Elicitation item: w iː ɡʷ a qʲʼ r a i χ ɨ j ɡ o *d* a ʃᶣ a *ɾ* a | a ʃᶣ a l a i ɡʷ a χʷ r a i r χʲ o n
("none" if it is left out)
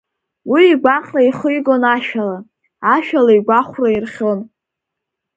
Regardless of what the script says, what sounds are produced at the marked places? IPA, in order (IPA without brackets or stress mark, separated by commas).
n, l